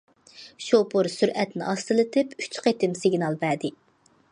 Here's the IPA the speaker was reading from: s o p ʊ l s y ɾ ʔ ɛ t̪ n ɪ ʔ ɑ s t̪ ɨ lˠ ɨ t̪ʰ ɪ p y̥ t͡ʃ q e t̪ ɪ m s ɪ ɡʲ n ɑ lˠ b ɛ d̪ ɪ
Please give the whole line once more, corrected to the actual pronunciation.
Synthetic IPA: ʃ o p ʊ ɾ s y ɾ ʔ ɛ t̪ n ɪ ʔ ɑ s t̪ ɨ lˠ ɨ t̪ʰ ɪ p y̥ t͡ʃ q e t̪ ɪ m s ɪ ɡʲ n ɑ lˠ b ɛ d̪ ɪ